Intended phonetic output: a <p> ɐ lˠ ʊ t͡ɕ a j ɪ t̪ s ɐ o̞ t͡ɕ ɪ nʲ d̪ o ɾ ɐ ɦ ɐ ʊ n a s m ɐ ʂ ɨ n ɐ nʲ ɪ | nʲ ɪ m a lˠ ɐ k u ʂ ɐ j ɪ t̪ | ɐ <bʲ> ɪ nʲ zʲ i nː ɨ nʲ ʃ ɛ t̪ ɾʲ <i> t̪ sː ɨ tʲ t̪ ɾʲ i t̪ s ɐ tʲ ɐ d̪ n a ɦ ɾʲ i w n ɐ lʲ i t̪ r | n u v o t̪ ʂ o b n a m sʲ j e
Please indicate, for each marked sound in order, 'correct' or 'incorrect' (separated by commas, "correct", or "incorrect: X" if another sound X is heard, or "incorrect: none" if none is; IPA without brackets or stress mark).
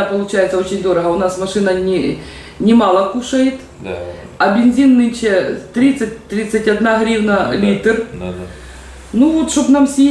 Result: correct, correct, correct